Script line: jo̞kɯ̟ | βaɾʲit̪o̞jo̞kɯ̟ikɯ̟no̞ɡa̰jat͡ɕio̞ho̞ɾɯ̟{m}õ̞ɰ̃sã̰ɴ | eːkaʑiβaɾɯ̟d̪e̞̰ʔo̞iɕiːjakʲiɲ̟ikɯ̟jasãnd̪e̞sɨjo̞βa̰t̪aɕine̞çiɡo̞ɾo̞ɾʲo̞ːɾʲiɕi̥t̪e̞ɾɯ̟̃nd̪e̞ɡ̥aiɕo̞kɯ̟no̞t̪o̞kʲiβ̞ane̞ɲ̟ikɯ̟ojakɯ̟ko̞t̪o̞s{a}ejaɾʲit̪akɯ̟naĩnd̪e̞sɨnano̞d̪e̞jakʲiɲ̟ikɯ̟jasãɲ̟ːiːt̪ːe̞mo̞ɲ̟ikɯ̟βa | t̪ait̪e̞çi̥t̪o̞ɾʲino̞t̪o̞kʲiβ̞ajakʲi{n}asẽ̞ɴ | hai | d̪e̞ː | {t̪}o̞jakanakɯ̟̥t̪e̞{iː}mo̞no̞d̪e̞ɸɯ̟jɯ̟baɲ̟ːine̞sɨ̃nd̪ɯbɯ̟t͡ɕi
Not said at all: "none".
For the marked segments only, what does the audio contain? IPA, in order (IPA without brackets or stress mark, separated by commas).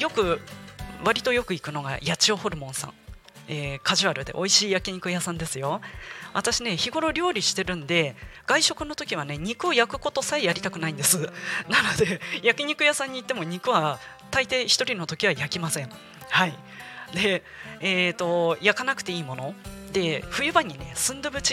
m, a, m, t̪, iː